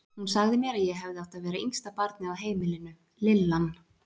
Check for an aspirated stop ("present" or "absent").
absent